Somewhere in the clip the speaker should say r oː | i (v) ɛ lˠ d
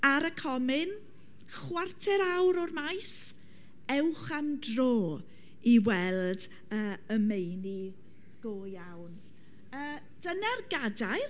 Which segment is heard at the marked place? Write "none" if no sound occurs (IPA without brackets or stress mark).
w